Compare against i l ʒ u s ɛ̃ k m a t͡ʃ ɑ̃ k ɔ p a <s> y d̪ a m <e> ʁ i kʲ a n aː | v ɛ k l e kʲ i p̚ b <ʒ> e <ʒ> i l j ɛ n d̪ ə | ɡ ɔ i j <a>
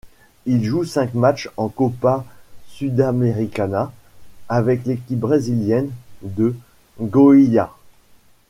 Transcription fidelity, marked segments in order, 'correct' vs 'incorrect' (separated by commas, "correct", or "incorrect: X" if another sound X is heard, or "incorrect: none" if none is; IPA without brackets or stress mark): correct, correct, incorrect: ʁ, incorrect: z, correct